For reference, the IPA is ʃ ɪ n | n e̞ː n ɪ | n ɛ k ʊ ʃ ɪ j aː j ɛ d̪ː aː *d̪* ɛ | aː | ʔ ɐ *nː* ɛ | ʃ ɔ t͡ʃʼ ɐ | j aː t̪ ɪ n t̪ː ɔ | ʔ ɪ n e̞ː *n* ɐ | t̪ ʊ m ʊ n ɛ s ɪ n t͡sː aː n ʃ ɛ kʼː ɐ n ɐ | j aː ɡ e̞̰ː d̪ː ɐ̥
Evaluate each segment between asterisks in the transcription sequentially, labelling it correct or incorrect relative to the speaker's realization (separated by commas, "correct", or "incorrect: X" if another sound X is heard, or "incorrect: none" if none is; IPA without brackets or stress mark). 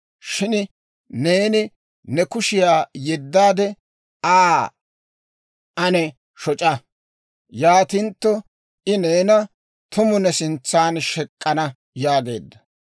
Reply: correct, incorrect: n, correct